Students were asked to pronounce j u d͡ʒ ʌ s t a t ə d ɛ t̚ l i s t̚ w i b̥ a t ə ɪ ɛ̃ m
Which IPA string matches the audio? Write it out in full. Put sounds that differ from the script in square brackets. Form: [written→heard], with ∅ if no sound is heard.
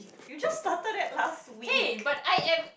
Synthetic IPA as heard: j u d͡ʒ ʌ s t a t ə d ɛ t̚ l [i→a] s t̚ w i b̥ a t [ə→a] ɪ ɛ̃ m